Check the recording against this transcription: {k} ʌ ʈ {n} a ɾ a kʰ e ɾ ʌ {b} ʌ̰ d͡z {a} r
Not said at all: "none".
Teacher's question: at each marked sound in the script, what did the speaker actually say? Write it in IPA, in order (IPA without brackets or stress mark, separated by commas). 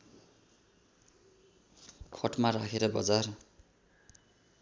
kʰ, m, b, a